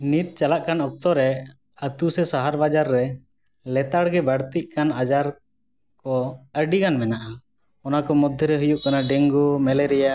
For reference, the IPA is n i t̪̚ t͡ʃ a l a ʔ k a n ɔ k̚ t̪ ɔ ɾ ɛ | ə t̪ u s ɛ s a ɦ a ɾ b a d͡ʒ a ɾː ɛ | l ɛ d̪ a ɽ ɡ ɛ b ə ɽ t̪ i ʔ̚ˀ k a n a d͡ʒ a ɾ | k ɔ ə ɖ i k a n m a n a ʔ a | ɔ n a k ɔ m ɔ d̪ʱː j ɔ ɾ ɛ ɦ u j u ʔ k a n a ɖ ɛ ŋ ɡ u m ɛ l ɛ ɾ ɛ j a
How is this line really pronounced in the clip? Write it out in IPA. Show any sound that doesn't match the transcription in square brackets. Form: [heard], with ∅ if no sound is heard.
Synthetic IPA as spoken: n i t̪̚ t͡ʃ a l a ʔ k a n ɔ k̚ t̪ ɔ ɾ ɛ | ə t̪ u s ɛ s a ɦ a ɾ b a d͡ʒ a ɾː ɛ | l ɛ [t̪] a ɽ ɡ ɛ b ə ɽ t̪ i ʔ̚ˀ k a n a d͡ʒ a ɾ | k ɔ ə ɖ i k a n m [ɛ] n a ʔ a | ɔ n a k ɔ m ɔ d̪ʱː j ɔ ɾ ɛ ɦ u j u ʔ k a n a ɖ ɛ ŋ ɡ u m ɛ l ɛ ɾ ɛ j a